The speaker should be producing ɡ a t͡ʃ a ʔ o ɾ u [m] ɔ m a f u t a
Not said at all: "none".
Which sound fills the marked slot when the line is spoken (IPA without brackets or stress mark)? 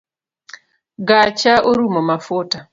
m